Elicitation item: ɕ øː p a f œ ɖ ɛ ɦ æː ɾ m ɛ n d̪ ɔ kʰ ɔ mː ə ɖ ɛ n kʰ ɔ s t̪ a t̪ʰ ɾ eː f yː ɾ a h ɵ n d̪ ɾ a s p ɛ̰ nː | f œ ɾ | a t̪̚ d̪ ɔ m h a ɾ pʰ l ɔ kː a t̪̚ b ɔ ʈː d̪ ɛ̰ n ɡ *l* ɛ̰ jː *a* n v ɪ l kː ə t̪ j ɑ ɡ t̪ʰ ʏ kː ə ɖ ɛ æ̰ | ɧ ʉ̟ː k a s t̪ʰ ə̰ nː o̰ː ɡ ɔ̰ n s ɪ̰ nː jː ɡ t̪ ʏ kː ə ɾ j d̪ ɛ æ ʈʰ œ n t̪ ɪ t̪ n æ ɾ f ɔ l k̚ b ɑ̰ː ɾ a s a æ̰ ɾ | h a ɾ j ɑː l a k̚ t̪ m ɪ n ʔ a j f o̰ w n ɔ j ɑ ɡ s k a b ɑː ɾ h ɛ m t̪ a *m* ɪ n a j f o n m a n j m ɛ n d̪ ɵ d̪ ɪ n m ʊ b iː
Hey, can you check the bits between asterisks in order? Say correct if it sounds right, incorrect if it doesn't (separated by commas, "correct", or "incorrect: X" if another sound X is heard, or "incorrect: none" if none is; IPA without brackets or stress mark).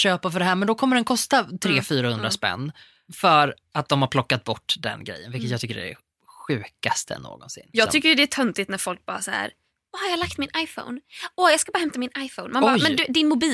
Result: incorrect: ɾ, incorrect: ə, correct